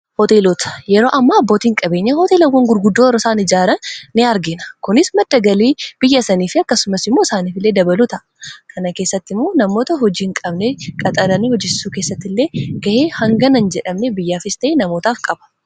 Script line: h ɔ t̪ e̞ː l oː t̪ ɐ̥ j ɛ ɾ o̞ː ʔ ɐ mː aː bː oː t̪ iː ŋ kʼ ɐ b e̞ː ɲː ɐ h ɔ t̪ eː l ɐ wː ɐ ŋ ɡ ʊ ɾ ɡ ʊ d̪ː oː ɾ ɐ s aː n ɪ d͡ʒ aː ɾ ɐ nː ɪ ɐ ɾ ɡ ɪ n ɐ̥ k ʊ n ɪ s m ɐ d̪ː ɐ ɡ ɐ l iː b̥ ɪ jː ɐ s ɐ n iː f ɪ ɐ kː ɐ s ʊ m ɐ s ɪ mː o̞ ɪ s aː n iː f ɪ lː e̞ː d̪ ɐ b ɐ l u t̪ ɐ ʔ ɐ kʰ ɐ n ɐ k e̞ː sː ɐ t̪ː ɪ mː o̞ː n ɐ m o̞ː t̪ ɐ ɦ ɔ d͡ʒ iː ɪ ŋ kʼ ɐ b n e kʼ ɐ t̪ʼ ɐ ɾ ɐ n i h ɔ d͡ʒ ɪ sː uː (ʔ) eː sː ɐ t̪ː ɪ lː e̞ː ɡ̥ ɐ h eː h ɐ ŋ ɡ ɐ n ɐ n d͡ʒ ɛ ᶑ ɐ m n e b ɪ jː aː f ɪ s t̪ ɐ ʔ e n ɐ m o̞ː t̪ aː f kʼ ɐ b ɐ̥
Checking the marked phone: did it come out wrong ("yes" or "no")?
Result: yes